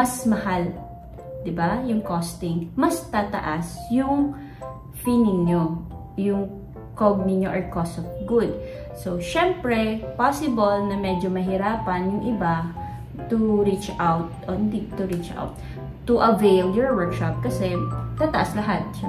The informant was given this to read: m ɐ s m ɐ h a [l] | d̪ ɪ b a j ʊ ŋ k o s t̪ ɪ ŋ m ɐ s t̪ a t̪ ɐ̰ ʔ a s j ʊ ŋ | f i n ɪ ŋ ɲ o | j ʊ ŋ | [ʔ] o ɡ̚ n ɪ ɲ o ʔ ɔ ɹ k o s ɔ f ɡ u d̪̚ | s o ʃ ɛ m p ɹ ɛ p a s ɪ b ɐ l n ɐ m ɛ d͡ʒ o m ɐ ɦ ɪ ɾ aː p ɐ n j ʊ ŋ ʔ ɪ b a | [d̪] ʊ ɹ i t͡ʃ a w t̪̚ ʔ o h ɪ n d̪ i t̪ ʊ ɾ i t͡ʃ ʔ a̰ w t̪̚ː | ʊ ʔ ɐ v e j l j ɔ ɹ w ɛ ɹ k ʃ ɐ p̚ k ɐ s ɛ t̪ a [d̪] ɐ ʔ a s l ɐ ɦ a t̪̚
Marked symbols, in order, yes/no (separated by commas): yes, no, no, no